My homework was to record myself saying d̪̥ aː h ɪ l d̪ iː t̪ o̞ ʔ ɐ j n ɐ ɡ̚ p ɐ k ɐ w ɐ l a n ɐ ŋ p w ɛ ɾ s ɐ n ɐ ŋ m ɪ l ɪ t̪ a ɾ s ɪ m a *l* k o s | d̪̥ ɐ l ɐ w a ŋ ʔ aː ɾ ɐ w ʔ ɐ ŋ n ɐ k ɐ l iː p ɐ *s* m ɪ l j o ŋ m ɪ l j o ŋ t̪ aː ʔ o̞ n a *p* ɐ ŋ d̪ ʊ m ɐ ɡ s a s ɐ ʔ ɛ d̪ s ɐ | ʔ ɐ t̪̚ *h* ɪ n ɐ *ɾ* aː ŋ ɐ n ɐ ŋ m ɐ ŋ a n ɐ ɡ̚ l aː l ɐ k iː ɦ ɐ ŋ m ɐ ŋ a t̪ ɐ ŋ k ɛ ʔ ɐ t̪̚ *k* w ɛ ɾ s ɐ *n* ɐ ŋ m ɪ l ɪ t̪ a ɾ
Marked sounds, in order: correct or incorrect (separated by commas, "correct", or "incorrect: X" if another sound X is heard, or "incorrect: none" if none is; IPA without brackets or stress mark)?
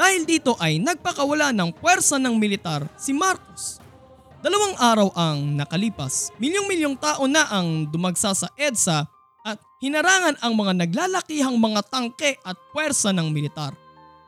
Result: incorrect: ɾ, correct, incorrect: ʔ, correct, correct, incorrect: p, correct